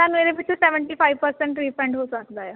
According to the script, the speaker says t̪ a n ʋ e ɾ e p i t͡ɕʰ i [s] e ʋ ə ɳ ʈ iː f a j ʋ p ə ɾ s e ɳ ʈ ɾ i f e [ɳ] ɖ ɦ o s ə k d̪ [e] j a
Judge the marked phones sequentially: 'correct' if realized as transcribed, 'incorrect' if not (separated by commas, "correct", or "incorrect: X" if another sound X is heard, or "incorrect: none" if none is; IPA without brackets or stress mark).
correct, correct, incorrect: a